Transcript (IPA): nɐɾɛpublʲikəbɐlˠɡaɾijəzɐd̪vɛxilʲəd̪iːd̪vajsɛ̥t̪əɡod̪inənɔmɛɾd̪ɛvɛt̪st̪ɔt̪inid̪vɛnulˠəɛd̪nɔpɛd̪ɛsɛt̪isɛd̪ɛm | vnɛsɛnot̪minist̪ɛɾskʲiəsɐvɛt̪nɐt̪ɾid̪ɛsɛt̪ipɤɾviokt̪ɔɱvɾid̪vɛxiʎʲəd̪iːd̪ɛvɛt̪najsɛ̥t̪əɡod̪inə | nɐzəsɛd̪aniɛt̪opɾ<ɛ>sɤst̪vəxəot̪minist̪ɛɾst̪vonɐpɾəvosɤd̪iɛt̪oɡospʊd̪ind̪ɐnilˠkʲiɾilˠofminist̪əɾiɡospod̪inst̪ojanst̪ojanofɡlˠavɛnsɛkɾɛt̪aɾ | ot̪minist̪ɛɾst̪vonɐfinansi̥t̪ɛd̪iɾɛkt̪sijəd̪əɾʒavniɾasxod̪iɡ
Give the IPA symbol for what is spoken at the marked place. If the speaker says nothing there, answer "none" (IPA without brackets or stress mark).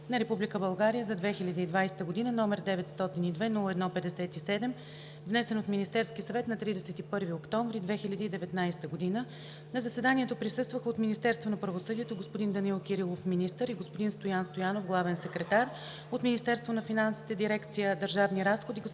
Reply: i